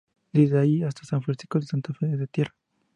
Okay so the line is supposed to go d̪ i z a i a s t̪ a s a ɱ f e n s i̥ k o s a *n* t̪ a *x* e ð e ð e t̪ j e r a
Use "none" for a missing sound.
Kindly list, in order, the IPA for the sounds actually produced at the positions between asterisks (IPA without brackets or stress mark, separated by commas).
n, f